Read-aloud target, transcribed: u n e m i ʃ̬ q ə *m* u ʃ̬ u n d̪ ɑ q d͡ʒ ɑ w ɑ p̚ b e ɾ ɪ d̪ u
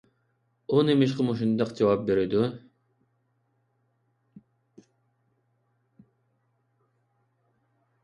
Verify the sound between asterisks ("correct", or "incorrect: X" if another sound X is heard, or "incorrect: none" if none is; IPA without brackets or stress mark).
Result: correct